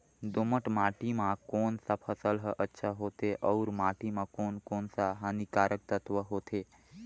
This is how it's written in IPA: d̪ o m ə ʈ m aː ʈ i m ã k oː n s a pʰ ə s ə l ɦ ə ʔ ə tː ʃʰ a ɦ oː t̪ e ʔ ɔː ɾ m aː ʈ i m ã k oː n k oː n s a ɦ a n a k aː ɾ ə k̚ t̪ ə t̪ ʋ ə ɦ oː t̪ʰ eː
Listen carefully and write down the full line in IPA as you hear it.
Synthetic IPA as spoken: d̪ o m ə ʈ m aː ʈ i m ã k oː n s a pʰ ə s ə l ɦ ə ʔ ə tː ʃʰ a ɦ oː t̪ e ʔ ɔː ɾ m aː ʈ i m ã k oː n k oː n s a ɦ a n i k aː ɾ ə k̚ t̪ ə t̪ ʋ ə ɦ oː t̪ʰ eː